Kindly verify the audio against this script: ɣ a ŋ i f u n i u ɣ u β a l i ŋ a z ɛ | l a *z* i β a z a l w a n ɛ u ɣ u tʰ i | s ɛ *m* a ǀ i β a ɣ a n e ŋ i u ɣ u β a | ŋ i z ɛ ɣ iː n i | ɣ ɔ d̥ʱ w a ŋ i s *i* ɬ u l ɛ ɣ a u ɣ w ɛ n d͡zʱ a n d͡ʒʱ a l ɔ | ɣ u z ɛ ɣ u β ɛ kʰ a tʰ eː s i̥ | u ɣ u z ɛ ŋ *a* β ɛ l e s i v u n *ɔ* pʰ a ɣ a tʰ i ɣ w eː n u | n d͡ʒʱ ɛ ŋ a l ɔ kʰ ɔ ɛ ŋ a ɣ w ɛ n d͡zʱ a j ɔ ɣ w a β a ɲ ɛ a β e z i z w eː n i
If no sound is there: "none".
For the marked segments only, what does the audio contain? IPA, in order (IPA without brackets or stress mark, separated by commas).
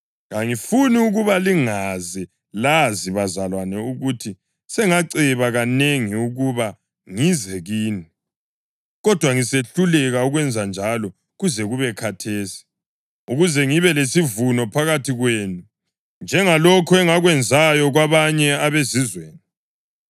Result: z, ŋ, e, i, ɔ